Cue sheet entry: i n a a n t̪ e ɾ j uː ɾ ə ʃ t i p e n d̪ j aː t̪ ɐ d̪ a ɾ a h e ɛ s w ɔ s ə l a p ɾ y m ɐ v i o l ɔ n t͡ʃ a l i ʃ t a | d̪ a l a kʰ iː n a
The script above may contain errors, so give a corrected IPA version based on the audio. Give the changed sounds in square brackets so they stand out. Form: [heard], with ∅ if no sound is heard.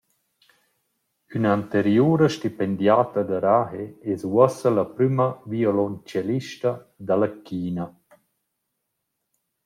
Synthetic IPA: [y] n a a n t̪ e ɾ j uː ɾ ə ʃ t i p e n d̪ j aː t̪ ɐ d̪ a ɾ a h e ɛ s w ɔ s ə l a p ɾ y m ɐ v i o l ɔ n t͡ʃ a l i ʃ t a | d̪ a l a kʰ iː n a

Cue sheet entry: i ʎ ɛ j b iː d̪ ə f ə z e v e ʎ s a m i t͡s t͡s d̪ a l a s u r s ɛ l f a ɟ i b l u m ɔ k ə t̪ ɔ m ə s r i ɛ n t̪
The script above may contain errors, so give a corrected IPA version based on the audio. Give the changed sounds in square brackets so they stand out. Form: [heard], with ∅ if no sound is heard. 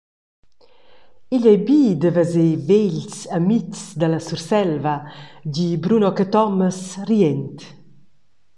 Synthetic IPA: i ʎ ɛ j b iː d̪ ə [v] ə z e v e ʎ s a m i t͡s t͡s d̪ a l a s u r s ɛ l [v] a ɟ i b [ɾ] u [n] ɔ k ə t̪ ɔ m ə s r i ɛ n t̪

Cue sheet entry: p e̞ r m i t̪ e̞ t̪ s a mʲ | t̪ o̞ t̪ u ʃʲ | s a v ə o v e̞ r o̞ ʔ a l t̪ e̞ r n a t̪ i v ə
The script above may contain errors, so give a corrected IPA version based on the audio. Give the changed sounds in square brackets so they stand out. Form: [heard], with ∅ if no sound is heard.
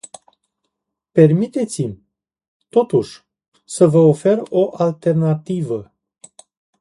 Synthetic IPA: p e̞ r m i t̪ e̞ t̪ s [i] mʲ | t̪ o̞ t̪ u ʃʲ | s [ə] v ə o [f] e̞ r o̞ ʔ a l t̪ e̞ r n a t̪ i v ə

